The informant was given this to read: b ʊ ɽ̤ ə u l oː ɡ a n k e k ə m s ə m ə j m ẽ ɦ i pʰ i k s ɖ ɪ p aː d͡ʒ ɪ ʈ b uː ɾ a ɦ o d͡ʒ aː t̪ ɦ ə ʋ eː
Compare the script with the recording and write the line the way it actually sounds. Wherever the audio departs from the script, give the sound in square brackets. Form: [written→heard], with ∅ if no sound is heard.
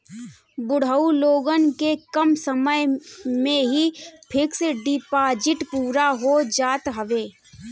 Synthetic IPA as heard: b ʊ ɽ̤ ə u l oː ɡ [a→ə] n k e k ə m s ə m ə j m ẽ ɦ i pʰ [i→ɪ] k s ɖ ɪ p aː d͡ʒ ɪ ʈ [b→p] uː ɾ a ɦ o d͡ʒ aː t̪ ɦ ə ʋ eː